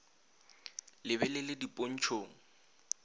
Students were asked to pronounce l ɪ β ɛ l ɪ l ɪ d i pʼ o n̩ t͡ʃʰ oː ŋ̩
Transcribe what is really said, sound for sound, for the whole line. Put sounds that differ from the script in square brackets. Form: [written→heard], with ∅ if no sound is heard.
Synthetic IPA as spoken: l ɪ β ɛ l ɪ l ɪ d i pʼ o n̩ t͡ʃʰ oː ŋ̩